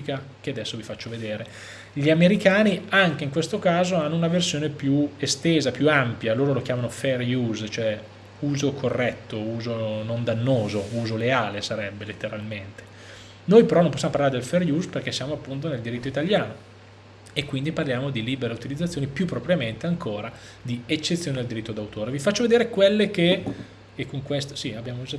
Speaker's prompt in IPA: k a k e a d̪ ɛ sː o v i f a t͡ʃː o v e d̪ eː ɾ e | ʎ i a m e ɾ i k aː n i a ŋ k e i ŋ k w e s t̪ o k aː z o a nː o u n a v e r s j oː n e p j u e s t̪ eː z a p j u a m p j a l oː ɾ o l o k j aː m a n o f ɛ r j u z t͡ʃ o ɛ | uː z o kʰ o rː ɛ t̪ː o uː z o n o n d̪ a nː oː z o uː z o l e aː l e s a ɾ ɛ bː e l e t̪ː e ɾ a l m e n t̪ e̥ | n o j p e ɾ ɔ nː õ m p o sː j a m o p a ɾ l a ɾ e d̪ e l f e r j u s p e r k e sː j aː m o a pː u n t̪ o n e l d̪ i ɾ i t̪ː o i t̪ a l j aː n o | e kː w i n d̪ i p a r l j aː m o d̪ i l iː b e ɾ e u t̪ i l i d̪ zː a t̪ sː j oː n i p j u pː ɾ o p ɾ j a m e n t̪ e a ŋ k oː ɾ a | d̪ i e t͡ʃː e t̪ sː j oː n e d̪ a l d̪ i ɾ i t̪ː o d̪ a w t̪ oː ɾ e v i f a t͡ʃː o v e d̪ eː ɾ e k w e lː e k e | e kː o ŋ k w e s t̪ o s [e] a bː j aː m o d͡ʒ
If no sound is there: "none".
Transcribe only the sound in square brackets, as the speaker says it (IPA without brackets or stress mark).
i